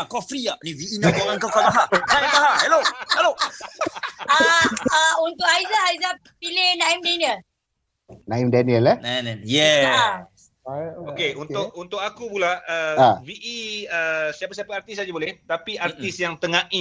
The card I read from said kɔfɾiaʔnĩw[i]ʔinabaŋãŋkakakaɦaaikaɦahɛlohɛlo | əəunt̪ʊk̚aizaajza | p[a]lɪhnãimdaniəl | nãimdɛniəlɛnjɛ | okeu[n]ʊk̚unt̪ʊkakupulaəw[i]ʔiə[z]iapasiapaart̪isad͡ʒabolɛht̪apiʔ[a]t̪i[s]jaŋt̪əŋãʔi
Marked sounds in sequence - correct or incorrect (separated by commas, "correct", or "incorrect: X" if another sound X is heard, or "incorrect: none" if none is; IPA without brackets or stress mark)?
correct, incorrect: i, correct, correct, incorrect: s, correct, correct